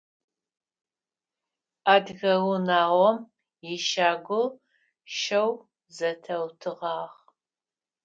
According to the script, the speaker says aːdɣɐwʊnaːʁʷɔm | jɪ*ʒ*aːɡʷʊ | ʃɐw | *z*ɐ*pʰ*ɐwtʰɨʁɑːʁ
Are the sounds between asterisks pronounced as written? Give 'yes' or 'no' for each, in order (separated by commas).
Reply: no, yes, no